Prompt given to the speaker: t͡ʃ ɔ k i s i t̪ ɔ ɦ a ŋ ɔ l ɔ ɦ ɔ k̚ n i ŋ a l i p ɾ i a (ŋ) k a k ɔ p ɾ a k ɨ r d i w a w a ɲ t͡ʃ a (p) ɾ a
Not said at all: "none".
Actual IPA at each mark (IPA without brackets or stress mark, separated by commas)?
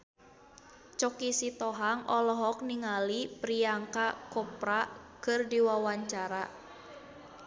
ŋ, none